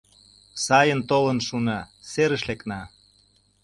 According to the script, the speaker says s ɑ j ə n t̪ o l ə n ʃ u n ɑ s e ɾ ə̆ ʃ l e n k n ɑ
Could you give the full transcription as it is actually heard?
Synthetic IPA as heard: s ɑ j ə n t̪ o l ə n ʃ u n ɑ s e ɾ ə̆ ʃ l e k n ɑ